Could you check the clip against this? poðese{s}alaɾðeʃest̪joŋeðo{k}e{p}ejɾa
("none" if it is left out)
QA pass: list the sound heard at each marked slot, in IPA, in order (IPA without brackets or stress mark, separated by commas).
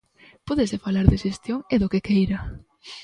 f, k, k